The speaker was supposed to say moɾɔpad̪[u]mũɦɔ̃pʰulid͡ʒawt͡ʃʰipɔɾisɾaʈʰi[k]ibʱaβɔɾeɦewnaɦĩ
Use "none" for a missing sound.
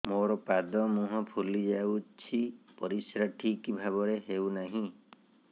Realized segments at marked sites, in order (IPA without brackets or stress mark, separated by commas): ɔ, k